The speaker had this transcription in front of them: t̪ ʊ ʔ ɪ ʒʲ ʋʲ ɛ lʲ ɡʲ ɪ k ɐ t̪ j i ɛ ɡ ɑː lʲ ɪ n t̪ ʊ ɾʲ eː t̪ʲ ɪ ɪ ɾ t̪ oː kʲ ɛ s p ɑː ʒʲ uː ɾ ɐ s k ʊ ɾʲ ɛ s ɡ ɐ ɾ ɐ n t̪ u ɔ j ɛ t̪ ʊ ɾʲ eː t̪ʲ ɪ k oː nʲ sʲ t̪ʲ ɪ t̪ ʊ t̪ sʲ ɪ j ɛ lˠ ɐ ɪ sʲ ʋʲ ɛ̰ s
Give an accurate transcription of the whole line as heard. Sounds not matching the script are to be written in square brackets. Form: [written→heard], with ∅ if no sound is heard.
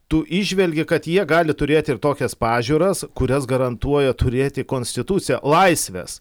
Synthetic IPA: t̪ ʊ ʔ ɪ ʒʲ ʋʲ ɛ lʲ ɡʲ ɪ k ɐ t̪ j i ɛ ɡ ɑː lʲ ɪ [n→∅] t̪ ʊ ɾʲ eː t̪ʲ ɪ ɪ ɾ t̪ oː kʲ ɛ s p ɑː ʒʲ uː ɾ ɐ s k ʊ ɾʲ ɛ s ɡ ɐ ɾ ɐ n t̪ u ɔ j ɛ t̪ ʊ ɾʲ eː t̪ʲ ɪ k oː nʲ sʲ t̪ʲ ɪ t̪ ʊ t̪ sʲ ɪ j ɛ lˠ ɐ ɪ sʲ ʋʲ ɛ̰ s